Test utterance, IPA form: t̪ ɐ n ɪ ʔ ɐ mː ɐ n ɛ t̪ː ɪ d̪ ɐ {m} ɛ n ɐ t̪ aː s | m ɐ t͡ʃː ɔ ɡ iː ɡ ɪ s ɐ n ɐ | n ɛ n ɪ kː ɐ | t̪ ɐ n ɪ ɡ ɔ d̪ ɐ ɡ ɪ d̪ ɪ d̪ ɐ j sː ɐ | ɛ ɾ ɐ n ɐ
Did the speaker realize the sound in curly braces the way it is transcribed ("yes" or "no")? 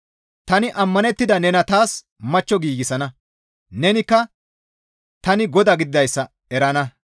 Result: no